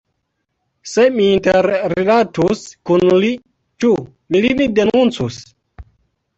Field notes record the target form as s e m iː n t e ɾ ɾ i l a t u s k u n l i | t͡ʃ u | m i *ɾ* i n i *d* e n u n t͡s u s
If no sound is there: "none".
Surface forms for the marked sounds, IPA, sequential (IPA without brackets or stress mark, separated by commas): l, d